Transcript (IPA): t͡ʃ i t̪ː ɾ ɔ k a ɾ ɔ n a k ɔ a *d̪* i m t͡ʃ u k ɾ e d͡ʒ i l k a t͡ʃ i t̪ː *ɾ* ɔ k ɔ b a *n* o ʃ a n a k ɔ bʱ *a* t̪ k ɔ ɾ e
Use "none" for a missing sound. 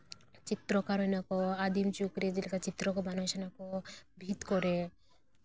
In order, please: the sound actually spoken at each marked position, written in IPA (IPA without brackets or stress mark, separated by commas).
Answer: d̪, ɾ, n, i